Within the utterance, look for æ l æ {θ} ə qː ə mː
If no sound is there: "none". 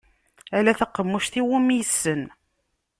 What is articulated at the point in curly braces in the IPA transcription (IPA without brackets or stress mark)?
θ